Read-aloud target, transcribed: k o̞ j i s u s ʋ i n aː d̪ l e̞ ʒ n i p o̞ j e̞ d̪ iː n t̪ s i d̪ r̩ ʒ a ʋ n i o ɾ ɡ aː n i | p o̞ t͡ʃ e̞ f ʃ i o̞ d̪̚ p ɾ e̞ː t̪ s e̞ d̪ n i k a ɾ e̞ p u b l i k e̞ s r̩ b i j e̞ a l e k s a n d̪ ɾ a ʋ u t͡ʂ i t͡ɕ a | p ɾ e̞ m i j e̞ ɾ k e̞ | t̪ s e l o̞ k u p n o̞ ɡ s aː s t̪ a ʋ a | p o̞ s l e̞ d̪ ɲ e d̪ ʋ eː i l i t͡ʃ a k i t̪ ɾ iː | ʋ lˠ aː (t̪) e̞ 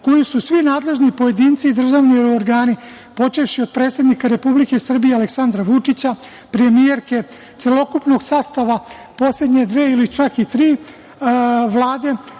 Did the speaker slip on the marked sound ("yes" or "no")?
yes